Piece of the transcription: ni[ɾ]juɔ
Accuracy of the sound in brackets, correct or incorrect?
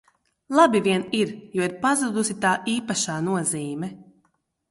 correct